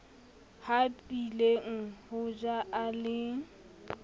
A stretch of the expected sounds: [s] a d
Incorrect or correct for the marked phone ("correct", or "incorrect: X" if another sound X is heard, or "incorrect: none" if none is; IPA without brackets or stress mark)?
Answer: incorrect: h